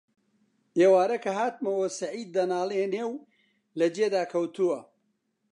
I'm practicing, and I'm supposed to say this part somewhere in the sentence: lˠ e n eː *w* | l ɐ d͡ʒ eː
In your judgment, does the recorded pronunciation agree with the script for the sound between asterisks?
yes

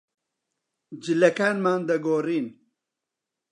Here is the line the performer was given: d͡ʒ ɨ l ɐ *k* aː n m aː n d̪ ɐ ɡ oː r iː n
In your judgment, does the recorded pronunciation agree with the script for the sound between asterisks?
yes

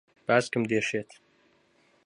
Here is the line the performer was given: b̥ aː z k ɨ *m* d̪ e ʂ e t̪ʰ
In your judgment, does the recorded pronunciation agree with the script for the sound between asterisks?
yes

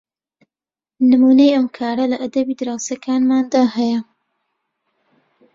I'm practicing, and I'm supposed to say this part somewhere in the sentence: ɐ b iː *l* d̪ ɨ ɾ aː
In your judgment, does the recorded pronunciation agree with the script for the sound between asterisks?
no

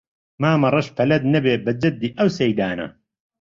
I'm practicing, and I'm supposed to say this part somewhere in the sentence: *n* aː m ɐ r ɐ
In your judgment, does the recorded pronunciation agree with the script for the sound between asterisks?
no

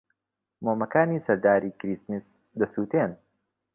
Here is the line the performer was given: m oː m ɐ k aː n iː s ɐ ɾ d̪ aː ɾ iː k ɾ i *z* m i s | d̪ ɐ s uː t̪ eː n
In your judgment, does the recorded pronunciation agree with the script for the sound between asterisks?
no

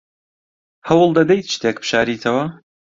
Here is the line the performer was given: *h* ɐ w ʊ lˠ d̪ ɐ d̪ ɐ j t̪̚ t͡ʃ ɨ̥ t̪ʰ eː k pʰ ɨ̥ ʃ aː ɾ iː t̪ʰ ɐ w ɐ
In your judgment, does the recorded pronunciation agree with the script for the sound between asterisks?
yes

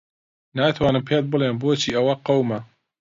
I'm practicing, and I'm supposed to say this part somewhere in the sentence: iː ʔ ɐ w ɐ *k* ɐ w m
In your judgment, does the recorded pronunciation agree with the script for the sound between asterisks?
no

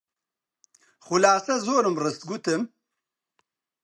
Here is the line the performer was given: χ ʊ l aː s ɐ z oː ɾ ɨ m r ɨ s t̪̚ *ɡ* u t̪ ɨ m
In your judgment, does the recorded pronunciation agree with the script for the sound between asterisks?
yes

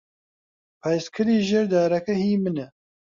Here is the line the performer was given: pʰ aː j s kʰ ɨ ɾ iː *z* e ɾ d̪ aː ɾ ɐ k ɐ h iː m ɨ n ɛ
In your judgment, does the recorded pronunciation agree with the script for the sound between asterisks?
no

